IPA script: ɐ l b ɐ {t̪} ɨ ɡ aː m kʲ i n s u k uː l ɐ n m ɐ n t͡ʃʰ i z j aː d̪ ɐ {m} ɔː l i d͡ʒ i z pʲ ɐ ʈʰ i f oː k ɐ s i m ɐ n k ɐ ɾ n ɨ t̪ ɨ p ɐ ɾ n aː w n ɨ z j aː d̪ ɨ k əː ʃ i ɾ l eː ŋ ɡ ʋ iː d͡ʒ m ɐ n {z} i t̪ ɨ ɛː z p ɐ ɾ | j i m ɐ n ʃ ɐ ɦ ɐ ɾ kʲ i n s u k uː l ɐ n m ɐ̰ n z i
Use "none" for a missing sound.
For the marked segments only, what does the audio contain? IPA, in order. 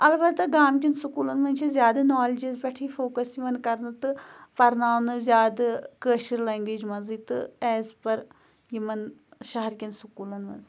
t̪, n, z

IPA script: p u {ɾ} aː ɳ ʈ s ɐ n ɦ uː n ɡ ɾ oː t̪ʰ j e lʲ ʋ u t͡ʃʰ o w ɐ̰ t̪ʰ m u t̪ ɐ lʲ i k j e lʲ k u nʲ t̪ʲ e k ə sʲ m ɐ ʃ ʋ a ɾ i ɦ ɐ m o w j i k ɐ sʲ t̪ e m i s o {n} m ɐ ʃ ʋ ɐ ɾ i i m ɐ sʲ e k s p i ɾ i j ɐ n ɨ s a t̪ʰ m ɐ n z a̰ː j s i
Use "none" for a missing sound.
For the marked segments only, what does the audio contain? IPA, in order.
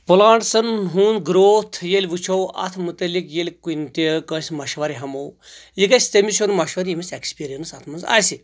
l, n

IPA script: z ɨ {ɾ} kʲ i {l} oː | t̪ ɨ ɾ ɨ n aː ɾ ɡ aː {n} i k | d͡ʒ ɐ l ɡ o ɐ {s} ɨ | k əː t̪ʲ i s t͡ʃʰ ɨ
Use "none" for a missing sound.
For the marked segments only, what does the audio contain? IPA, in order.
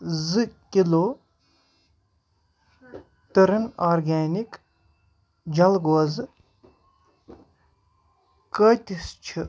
none, l, n, z

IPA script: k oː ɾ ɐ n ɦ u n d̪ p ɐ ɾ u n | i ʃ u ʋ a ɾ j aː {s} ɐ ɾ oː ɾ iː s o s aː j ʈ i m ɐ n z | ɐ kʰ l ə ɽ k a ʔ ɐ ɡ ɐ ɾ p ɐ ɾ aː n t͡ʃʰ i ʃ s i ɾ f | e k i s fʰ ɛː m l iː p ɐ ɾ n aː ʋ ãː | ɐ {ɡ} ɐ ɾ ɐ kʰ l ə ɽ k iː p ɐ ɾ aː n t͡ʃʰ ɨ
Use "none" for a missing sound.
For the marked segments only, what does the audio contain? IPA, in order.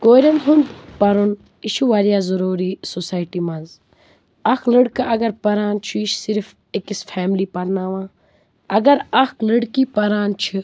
z, ɡ

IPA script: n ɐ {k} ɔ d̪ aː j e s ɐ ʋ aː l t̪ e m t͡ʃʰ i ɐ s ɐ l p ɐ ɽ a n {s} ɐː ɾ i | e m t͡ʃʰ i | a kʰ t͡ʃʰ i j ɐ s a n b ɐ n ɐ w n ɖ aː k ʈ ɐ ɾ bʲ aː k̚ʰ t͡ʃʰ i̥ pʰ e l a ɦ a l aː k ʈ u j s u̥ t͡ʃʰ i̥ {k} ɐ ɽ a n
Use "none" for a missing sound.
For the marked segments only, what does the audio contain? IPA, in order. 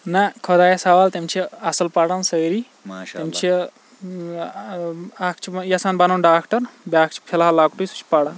kʰ, s, p

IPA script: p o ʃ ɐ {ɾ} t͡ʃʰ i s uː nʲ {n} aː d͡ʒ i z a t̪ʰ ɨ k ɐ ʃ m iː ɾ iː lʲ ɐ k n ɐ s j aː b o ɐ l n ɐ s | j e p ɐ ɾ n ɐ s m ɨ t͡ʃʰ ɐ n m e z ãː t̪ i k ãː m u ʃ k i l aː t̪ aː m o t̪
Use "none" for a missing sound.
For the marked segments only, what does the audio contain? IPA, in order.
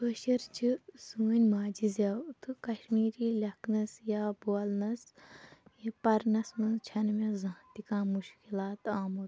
ɾ, m

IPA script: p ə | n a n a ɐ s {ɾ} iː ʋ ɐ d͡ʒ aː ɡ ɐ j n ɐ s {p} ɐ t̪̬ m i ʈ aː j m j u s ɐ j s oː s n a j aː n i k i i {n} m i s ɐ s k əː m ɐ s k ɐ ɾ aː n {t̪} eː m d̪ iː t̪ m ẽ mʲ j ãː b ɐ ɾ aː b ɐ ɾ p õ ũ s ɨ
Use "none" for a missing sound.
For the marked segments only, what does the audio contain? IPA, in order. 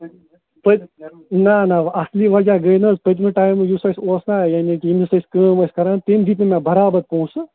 l, p, none, t̪

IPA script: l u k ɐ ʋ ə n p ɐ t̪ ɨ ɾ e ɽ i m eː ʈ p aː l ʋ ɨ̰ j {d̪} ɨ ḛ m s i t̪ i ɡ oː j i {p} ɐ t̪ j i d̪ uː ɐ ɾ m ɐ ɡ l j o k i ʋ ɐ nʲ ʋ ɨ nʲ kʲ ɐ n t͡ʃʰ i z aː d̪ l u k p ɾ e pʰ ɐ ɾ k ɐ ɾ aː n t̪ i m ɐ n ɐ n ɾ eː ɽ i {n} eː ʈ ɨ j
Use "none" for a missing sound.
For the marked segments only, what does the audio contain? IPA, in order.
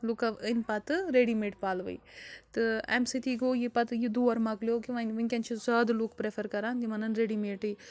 t̪, p, m

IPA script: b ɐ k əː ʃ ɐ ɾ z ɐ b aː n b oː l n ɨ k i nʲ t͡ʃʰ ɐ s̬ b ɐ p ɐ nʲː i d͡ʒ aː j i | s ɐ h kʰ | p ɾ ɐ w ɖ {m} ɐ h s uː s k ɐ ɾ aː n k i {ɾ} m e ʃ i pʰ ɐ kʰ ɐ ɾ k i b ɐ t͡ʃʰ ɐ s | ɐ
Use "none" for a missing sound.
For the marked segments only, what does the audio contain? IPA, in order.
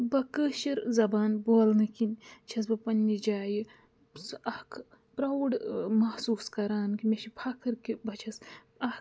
m, none

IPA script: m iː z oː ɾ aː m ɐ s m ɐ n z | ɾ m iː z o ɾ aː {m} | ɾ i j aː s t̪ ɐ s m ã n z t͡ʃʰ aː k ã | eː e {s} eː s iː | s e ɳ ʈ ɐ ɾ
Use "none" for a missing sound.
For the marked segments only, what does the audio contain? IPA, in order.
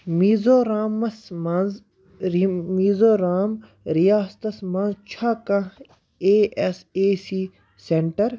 m, s

